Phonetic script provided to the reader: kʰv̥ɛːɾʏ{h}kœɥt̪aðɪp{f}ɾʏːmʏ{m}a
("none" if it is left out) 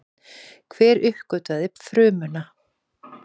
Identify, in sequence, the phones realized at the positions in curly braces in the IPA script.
h, f, n

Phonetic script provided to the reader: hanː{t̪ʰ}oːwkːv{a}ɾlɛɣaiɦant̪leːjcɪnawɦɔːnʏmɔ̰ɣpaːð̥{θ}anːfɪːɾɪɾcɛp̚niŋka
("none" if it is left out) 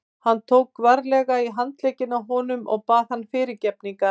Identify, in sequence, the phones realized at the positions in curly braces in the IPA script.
t̪ʰ, a, h

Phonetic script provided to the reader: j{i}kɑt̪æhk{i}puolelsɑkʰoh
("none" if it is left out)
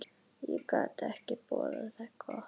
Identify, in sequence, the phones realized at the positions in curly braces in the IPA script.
i, i

